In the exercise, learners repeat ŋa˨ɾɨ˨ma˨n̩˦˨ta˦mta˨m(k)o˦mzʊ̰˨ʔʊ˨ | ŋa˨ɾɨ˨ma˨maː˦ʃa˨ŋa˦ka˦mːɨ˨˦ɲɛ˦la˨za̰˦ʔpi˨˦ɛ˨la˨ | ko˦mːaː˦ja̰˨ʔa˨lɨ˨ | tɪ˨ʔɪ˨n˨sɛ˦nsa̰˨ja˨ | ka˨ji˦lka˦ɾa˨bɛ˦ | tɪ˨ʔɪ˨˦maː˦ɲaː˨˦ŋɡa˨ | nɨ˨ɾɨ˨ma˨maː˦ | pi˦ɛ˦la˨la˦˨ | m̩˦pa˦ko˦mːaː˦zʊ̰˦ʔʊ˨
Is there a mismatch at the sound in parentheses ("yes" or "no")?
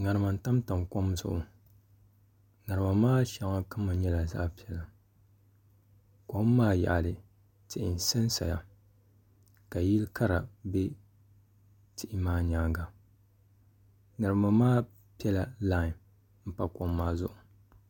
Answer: no